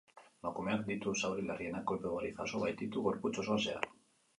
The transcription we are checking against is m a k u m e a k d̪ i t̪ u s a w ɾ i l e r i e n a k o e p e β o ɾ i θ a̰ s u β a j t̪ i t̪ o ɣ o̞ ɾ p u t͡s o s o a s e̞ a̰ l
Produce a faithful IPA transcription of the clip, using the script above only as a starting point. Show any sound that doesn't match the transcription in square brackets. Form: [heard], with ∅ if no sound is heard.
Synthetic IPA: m a k u m e a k d̪ i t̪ u s a w ɾ i l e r i e n a k o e p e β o ɾ i θ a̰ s [o] β a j t̪ i t̪ [u] ɣ o̞ ɾ p u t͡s o s o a s e̞ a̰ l